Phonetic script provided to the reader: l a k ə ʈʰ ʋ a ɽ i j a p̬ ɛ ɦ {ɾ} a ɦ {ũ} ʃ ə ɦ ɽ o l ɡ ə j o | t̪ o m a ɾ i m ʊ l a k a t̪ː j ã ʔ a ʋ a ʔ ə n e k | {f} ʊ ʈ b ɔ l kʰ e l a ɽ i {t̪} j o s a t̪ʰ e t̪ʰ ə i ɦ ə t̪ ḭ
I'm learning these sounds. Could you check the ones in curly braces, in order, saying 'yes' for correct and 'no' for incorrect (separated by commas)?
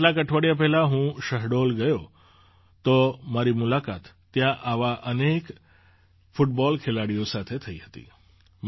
no, yes, yes, no